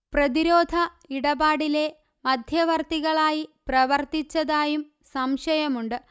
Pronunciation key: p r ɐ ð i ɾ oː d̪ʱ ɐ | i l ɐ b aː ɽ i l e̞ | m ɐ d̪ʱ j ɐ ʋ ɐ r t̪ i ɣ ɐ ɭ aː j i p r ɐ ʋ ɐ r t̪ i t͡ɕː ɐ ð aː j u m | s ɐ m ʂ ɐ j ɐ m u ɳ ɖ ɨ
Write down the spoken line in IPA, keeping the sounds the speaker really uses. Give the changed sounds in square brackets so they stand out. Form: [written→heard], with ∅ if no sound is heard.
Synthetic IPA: p r ɐ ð i ɾ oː d̪ʱ ɐ | i [l→ɽ] ɐ b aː ɽ i l e̞ | m ɐ d̪ʱ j ɐ ʋ ɐ r t̪ i ɣ ɐ ɭ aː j i p r ɐ ʋ ɐ r t̪ i t͡ɕː ɐ ð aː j u m | s ɐ m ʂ ɐ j ɐ m u ɳ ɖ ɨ